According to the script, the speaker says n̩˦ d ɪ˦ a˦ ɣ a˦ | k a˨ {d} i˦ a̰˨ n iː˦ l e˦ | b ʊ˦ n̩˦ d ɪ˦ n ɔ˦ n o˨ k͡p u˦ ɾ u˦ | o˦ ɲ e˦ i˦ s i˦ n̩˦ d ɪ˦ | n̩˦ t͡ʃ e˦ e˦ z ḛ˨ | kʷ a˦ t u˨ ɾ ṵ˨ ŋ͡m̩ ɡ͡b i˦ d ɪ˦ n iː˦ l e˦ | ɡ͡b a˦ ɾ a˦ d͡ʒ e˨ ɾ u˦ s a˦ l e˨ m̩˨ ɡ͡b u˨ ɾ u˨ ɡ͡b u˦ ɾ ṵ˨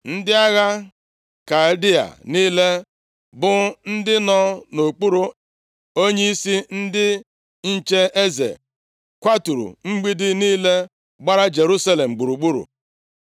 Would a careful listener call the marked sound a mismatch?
no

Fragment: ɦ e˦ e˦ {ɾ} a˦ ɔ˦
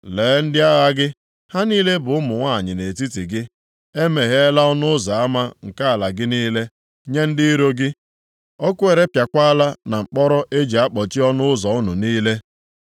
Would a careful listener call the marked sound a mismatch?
yes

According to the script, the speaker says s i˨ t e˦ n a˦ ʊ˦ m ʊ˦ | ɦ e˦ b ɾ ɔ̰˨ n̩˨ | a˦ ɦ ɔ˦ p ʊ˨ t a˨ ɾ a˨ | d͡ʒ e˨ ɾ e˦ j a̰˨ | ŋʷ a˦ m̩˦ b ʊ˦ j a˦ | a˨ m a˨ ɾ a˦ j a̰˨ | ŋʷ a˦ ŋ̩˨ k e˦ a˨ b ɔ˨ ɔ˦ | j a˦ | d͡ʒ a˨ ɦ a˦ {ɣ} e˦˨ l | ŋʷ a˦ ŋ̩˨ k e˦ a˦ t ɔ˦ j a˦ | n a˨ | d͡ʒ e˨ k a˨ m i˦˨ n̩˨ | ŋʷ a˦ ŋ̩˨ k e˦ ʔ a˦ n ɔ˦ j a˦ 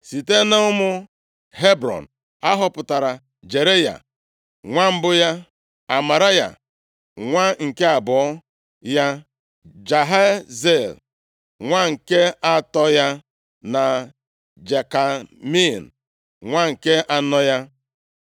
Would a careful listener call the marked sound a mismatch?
yes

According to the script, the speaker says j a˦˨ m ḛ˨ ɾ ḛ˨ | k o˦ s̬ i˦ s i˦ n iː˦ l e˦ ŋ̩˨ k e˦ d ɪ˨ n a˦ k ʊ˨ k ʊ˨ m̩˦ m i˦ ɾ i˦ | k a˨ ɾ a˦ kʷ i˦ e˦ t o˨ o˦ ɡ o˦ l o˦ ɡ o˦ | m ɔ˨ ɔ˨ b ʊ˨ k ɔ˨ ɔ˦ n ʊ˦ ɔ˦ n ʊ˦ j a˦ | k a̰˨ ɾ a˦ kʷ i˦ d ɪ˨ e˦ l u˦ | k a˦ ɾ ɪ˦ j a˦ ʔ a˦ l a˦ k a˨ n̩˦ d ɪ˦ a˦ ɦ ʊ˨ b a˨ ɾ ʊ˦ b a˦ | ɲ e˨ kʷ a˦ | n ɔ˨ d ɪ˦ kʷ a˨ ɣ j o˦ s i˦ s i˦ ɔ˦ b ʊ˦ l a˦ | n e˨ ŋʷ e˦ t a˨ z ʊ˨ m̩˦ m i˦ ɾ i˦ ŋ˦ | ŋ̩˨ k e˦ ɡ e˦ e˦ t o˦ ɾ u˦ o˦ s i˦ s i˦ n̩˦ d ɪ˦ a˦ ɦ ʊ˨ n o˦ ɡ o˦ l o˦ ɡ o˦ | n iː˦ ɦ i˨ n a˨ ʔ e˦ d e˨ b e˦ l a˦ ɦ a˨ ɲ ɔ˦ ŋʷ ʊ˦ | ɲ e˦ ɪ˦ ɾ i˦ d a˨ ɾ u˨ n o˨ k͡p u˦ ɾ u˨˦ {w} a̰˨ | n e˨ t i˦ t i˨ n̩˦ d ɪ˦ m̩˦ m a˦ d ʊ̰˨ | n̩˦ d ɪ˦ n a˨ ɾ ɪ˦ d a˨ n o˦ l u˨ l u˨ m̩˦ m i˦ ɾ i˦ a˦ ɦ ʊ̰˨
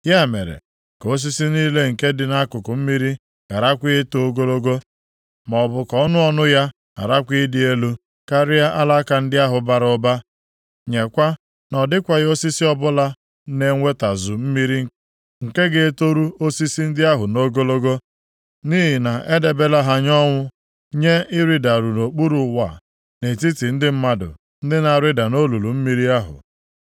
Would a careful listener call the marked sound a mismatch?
no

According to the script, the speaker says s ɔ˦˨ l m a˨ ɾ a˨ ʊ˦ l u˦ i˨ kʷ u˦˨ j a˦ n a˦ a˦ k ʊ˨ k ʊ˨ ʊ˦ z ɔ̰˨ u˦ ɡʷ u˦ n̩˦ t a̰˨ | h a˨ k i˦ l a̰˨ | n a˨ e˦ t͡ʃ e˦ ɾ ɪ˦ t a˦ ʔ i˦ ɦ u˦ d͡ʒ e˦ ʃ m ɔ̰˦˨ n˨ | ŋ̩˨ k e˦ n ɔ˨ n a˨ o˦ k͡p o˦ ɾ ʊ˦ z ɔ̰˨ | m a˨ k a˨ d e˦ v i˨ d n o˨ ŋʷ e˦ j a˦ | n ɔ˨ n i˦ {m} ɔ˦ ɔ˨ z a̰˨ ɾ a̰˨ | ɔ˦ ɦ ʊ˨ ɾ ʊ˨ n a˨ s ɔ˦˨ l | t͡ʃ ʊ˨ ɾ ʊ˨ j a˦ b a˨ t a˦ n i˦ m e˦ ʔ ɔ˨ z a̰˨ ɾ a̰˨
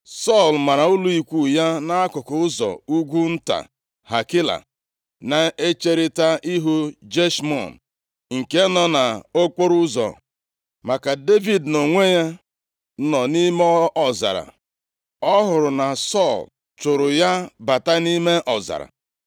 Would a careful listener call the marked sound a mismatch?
no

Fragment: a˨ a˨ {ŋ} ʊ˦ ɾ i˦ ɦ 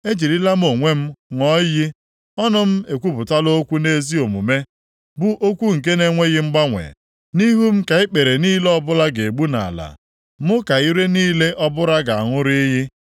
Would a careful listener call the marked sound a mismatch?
no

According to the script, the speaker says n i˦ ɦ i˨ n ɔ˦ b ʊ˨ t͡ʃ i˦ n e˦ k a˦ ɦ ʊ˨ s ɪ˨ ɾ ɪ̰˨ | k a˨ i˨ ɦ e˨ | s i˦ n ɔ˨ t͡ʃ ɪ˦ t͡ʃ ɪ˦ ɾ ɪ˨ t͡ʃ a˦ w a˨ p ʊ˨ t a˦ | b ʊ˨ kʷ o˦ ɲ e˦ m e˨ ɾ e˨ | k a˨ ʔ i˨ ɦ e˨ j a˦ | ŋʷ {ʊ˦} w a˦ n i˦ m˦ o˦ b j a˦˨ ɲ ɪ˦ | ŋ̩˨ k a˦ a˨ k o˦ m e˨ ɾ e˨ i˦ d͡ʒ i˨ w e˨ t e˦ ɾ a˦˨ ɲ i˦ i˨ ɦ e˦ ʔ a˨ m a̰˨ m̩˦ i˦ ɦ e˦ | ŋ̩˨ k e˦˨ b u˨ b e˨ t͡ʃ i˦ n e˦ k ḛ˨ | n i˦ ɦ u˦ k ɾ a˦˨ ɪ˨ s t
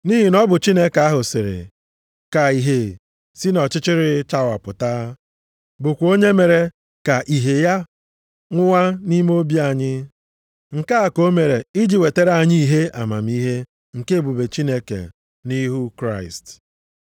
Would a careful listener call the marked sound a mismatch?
no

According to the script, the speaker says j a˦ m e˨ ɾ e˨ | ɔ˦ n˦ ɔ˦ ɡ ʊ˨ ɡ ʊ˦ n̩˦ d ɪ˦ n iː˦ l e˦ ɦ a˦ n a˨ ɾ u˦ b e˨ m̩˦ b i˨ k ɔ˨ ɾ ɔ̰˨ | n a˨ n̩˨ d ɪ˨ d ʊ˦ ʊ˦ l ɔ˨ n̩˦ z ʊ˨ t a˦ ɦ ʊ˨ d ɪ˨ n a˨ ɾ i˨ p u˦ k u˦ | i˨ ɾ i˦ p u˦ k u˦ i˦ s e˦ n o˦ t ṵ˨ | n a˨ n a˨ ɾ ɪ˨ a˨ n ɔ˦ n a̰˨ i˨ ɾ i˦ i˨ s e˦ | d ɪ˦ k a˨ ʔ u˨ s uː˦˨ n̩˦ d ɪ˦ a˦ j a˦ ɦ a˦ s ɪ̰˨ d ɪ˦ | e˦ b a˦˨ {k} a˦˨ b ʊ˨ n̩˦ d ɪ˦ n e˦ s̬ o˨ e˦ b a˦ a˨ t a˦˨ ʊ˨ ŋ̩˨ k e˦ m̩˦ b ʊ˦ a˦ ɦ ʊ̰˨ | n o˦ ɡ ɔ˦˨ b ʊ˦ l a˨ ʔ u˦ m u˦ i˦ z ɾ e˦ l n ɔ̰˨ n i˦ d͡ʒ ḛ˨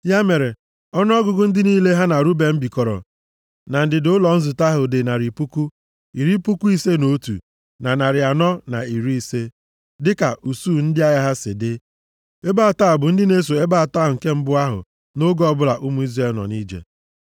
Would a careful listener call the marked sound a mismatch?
yes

